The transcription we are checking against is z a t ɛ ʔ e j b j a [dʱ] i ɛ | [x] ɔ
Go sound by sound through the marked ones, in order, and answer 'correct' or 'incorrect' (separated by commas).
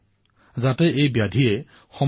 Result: correct, correct